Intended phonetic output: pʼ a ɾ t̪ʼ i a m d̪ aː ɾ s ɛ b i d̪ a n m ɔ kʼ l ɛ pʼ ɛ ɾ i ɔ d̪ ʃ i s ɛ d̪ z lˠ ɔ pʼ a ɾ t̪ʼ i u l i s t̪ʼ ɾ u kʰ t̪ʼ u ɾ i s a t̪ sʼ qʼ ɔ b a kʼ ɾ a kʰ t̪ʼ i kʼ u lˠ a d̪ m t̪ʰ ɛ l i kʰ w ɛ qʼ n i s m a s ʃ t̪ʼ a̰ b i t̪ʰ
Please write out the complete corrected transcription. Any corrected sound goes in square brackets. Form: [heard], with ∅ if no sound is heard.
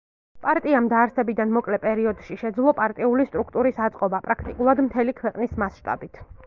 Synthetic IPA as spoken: pʼ a ɾ t̪ʼ i a m d̪ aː ɾ s ɛ b i d̪ a n m ɔ kʼ l ɛ pʼ ɛ ɾ i ɔ d̪ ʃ i [ʃ] ɛ d̪ z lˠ ɔ pʼ a ɾ t̪ʼ i u l i s t̪ʼ ɾ u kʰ t̪ʼ u ɾ i s a t̪ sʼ qʼ ɔ b a [pʼ] ɾ a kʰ t̪ʼ i kʼ u lˠ a d̪ m t̪ʰ ɛ l i kʰ w ɛ qʼ n i s m a s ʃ t̪ʼ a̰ b i t̪ʰ